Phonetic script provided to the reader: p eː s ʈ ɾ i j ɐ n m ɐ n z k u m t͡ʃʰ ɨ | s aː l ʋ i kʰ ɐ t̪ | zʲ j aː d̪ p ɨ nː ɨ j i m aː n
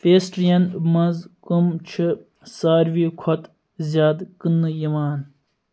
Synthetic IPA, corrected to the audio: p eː s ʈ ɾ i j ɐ n m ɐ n z k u m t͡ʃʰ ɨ | s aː ɾ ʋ i kʰ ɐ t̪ | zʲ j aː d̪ k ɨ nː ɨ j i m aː n